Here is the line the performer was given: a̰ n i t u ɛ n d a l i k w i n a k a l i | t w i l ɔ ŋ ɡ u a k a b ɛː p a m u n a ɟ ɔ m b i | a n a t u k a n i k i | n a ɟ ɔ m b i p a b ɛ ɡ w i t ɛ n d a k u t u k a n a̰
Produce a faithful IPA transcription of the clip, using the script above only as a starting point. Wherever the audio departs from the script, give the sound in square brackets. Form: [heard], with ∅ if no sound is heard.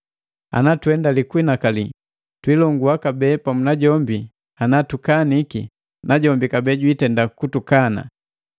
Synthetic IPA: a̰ n [a] t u ɛ n d a l i k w i n a k a l i | t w i l ɔ ŋ ɡ u a k a b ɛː p a m u n a ɟ ɔ m b i | a n a t u k a n i k i | n a ɟ ɔ m b i [k] a b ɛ [ɟ] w i t ɛ n d a k u t u k a n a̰

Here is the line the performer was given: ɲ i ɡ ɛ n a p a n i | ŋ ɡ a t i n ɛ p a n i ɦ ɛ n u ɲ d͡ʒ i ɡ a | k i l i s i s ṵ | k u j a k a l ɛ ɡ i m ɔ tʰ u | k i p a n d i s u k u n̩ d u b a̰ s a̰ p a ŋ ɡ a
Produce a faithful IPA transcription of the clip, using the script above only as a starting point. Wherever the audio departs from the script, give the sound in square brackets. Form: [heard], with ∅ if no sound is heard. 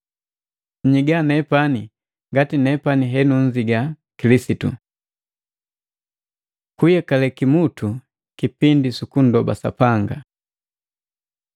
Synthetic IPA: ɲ i ɡ [a] n [ɛ] p a n i | ŋ ɡ a t i n ɛ p a n i ɦ ɛ n u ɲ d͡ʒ i ɡ a | k i l i s i [t] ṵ | k u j a k a l ɛ [k] i m [u] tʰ u | k i p [i] n d i s u k u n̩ d [ɔ] b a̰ s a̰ p a ŋ ɡ a

